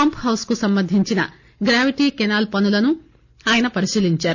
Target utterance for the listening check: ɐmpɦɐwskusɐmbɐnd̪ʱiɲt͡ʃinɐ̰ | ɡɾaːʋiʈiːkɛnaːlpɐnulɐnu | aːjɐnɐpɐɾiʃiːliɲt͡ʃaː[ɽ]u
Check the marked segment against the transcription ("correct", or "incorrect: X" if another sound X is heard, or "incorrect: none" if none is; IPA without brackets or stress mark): incorrect: ɾ